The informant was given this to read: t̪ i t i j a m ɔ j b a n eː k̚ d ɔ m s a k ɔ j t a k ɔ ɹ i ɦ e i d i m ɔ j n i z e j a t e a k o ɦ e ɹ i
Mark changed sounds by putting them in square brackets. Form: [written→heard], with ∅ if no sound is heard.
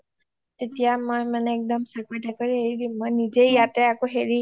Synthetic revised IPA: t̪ [i→e] t i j a m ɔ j [b→m] a n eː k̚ d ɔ m s a k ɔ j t a k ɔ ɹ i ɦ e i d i m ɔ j n i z e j a t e a k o ɦ e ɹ i